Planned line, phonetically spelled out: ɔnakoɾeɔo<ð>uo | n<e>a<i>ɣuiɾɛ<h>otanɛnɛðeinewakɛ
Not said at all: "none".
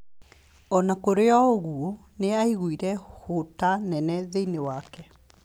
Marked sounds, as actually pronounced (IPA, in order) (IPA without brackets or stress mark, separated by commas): ɣ, e, i, h